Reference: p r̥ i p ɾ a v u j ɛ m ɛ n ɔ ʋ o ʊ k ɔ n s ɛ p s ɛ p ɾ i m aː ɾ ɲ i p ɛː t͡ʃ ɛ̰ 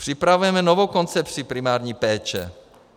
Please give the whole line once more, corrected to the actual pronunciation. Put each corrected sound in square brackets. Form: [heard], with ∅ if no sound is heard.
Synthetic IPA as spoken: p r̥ i p ɾ a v u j ɛ m ɛ n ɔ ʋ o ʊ k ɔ n [t͡s] ɛ p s [i] p ɾ i m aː ɾ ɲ i p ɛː t͡ʃ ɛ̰